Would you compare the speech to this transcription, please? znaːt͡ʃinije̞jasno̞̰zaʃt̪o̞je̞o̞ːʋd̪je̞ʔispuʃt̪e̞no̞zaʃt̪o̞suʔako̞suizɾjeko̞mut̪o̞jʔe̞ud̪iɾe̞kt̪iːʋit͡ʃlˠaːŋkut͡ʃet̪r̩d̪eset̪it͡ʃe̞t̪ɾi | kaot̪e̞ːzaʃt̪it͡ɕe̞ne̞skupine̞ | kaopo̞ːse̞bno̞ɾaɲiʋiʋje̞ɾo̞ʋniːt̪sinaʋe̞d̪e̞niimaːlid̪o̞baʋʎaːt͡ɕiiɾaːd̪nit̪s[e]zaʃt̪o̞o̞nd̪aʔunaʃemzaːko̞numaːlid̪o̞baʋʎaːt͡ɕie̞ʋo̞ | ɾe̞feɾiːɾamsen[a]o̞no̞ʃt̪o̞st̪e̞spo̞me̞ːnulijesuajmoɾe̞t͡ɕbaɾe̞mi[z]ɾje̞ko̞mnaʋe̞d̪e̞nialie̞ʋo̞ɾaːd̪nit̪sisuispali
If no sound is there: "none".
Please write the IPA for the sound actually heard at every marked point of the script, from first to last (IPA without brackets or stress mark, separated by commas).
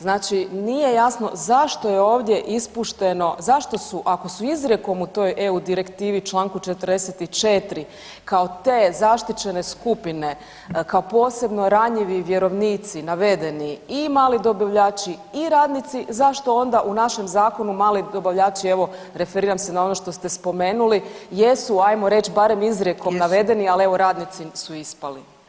i, a, z